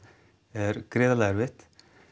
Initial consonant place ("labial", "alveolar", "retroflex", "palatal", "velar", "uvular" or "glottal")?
alveolar